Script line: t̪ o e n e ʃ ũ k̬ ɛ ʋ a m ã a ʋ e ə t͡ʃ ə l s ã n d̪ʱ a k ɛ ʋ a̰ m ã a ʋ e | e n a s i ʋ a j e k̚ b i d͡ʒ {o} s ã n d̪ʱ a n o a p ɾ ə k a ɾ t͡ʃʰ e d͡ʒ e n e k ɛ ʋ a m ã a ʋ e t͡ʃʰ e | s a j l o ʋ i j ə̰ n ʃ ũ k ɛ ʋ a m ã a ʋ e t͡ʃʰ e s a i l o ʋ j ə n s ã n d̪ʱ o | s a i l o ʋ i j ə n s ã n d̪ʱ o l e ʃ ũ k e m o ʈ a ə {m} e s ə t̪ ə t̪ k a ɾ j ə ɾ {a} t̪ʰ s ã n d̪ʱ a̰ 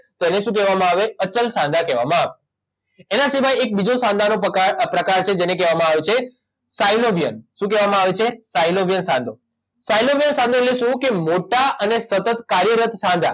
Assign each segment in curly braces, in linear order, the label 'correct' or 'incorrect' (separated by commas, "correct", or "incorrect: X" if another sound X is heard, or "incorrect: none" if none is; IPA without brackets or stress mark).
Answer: correct, incorrect: n, incorrect: ə